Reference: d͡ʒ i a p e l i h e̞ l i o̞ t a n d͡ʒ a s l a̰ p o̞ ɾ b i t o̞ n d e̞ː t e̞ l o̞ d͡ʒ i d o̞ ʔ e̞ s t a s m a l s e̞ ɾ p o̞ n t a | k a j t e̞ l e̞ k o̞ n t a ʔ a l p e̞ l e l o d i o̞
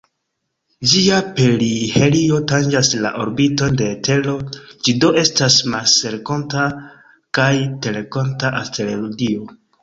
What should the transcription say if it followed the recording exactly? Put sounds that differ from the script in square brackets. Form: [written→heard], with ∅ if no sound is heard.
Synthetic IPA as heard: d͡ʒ i a p e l i h e̞ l i o̞ t a n d͡ʒ a s l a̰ [p→ʔ] o̞ ɾ b i t o̞ n d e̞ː t e̞ l o̞ d͡ʒ i d o̞ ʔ e̞ s t a s m a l s e̞ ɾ [p→k] o̞ n t a | k a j t e̞ l e̞ k o̞ n t a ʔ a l [p→t] e̞ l e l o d i o̞

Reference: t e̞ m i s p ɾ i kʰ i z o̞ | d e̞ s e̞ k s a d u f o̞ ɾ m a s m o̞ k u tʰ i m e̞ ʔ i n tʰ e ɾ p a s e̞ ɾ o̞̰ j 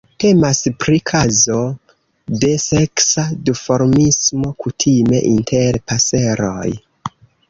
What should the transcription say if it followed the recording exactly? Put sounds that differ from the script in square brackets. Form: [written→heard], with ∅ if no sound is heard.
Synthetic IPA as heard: t e̞ m [i→a] s p ɾ i kʰ [i→a] z o̞ | d e̞ s e̞ k s a d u f o̞ ɾ m [a→i] s m o̞ k u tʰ i m e̞ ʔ i n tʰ e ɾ p a s e̞ ɾ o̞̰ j

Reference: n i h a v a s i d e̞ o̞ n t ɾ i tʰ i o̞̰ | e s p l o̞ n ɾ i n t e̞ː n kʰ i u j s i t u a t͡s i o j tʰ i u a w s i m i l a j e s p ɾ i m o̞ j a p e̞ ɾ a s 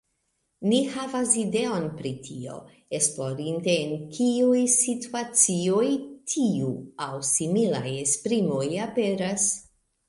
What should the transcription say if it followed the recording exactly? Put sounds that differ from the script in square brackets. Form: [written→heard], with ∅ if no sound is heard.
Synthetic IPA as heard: n i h a v a s i d e̞ o̞ n [t→p] ɾ i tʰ i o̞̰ | e s p l o̞ [n→∅] ɾ i n t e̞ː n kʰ i u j s i t u a t͡s i o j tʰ i u a w s i m i l a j e s p ɾ i m o̞ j a p e̞ ɾ a s

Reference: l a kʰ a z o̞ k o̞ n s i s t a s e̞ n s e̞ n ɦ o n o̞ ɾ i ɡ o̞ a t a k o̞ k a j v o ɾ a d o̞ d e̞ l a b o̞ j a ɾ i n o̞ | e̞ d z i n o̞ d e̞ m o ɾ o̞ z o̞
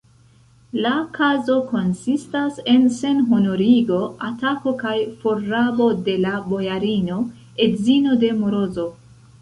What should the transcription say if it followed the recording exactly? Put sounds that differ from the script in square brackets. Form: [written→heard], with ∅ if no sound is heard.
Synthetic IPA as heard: l a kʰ a z o̞ k o̞ n s i s t a s e̞ n s e̞ n ɦ o n o̞ ɾ i ɡ o̞ a t a k o̞ k a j [v→f] o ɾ a [d→b] o̞ d e̞ l a b o̞ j a ɾ i n o̞ | e̞ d z i n o̞ d e̞ m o ɾ o̞ z o̞

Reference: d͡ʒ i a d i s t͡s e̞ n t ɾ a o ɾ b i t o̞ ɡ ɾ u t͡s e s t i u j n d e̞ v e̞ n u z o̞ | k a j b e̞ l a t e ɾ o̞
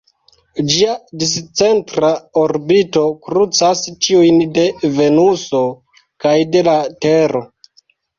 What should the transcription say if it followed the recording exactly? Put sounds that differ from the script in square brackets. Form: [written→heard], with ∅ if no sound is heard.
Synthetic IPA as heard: d͡ʒ i a d i s t͡s e̞ n t ɾ a o ɾ b i t o̞ [ɡ→k] ɾ u t͡s [e→a] s [t→t͡ʃ] i u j n d e̞ v e̞ n u [z→s] o̞ | k a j [b→d] e̞ l a t e ɾ o̞

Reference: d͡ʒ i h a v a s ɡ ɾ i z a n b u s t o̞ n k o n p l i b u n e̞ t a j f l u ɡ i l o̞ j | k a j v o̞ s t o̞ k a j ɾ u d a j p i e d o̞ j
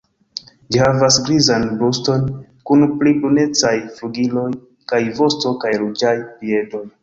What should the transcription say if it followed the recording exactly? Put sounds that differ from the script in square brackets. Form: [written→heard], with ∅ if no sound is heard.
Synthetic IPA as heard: d͡ʒ i h a v a s ɡ ɾ i z a n b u s t o̞ n k [o→u] n p l i b u n e̞ [t→t͡s] a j f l u ɡ i l o̞ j | k a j v o̞ s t o̞ k a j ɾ u [d→d͡ʒ] a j p i e d o̞ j

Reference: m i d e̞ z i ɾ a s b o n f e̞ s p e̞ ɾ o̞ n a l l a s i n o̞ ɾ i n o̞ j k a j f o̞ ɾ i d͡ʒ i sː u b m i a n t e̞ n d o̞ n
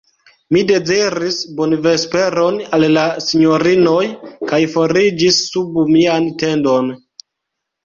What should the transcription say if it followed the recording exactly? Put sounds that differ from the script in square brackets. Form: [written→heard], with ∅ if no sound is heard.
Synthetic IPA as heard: m i d e̞ z i ɾ [a→i] s b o n [f→v] e̞ s p e̞ ɾ o̞ n a l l a s i [n→ɲ] o̞ ɾ i n o̞ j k a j f o̞ ɾ i d͡ʒ i sː u b m i a n t e̞ n d o̞ n

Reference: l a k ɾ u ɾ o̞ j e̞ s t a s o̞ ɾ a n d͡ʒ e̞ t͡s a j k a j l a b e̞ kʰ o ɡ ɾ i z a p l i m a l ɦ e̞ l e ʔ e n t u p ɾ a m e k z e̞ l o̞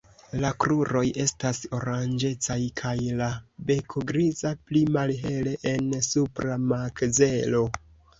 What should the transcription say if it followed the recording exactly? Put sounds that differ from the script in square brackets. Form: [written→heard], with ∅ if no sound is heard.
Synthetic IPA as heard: l a k ɾ u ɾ o̞ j e̞ s t a s o̞ ɾ a n d͡ʒ e̞ t͡s a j [k→kʰ] a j l a b e̞ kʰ o ɡ ɾ i z a p l i m a l ɦ e̞ l e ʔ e n [t→s] u p ɾ a m [e→a] k z e̞ l o̞

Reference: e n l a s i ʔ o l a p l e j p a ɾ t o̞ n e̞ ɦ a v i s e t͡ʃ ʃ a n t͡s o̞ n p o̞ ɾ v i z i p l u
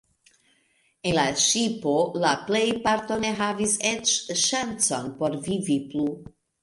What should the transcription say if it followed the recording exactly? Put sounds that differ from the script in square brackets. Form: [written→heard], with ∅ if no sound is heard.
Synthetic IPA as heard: e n l a [s→ʃ] i [ʔ→p] o l a p l e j p a ɾ t o̞ n e̞ ɦ a v i s e t͡ʃ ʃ a n t͡s o̞ n p o̞ ɾ v i [z→v] i p l u

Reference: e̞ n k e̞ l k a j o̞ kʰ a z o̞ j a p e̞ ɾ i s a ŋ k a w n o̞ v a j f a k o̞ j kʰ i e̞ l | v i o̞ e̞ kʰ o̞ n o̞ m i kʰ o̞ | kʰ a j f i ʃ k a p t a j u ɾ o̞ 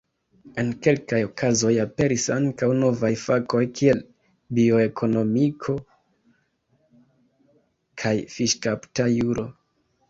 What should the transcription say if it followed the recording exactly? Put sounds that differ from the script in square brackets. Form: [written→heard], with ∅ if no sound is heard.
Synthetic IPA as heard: e̞ n k e̞ l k a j o̞ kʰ a z o̞ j a p e̞ ɾ i s a ŋ k a w n o̞ v a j f a k o̞ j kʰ i e̞ l | [v→b] i o̞ e̞ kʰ o̞ n o̞ m i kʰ o̞ | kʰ a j f i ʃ k a p t a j u ɾ o̞

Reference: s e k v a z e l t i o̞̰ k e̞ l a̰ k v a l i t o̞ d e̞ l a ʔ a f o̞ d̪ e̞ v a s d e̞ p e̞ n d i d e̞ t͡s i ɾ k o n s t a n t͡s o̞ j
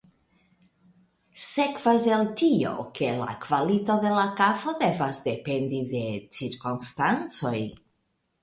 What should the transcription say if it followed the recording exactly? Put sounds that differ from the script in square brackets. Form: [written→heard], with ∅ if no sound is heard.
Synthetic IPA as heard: s e k v a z e l t i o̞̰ k e̞ l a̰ k v a l i t o̞ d e̞ l a [ʔ→k] a f o̞ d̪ e̞ v a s d e̞ p e̞ n d i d e̞ t͡s i ɾ k o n s t a n t͡s o̞ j

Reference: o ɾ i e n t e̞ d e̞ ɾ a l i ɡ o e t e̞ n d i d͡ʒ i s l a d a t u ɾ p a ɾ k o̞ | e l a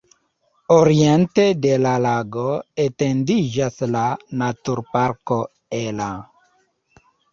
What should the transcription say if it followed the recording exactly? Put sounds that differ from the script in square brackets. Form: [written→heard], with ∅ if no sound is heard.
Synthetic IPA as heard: o ɾ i e n t e̞ d e̞ [ɾ→l] a l [i→a] ɡ o e t e̞ n d i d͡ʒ [i→a] s l a [d→n] a t u ɾ p a ɾ k o̞ | e l a

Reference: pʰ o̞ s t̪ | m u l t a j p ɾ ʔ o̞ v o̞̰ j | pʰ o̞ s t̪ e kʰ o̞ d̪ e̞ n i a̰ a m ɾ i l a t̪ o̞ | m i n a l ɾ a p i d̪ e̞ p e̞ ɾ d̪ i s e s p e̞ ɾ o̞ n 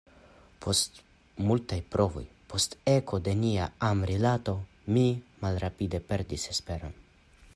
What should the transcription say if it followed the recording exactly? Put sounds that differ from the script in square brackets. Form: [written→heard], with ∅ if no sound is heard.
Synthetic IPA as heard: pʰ o̞ s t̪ | m u l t a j p ɾ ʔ o̞ v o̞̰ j | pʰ o̞ s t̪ e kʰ o̞ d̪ e̞ n i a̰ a m ɾ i l a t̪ o̞ | m i [n→m] a l ɾ a p i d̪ e̞ p e̞ ɾ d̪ i s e s p e̞ ɾ o̞ n

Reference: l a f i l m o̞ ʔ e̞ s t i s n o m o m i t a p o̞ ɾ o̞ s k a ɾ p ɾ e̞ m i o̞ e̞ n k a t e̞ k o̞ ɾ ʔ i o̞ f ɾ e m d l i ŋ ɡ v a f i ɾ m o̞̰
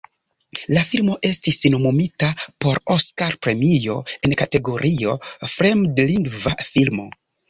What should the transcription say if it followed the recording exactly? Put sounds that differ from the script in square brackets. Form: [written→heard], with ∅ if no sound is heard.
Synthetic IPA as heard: l a f i l m o̞ ʔ e̞ s t i s n o m o m i t a p o̞ ɾ o̞ s k a ɾ p ɾ e̞ m i o̞ e̞ n k a t e̞ [k→ɡ] o̞ ɾ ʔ i o̞ f ɾ e m d l i ŋ ɡ v a f i [ɾ→l] m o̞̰

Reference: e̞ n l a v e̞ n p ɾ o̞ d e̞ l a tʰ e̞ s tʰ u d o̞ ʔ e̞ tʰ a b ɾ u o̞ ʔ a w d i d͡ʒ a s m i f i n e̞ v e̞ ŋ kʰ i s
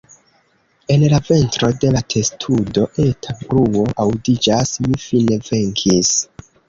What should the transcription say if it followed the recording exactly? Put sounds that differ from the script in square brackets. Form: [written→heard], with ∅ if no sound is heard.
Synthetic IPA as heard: e̞ n l a v e̞ n [p→t] ɾ o̞ d e̞ l a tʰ e̞ s tʰ u d o̞ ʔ e̞ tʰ a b ɾ u o̞ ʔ a w d i d͡ʒ a s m i f i n e̞ v e̞ ŋ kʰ i s

